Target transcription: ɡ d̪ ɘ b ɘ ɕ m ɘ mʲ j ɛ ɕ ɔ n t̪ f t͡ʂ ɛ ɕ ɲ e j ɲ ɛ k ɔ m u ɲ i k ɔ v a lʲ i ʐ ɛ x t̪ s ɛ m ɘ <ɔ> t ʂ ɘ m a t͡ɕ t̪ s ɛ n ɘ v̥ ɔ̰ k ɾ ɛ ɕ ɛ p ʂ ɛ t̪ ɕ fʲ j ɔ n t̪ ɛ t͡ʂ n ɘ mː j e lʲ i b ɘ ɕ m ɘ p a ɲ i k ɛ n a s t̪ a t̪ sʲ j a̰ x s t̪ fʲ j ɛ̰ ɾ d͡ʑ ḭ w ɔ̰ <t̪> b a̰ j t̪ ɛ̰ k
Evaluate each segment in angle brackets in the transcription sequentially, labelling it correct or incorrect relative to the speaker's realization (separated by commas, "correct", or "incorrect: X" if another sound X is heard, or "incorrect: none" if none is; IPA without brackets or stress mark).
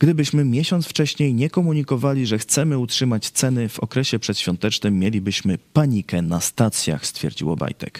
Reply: incorrect: u, incorrect: none